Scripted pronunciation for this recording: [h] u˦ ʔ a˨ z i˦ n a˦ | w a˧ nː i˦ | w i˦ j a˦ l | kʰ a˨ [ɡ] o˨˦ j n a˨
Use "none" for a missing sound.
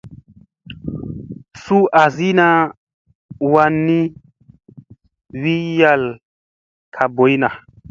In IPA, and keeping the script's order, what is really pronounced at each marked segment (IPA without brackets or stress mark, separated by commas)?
s, b